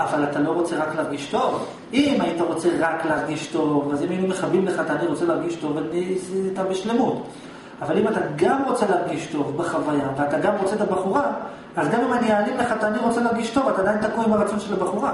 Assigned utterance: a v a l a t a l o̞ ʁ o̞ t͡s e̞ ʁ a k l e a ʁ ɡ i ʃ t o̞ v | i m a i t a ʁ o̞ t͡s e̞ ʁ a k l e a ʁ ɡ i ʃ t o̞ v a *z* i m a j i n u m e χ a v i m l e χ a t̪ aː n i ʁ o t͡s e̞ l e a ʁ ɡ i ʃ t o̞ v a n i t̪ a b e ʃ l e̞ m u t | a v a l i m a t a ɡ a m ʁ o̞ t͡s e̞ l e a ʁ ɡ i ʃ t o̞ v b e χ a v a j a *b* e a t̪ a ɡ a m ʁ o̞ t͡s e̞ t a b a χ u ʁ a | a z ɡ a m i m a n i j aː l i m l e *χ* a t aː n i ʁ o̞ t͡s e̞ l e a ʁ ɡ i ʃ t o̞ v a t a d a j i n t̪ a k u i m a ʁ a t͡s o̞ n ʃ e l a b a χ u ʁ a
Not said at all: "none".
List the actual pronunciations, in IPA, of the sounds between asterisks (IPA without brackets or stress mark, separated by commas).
z, v, χ